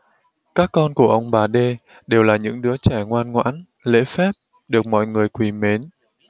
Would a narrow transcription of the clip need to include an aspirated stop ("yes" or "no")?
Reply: no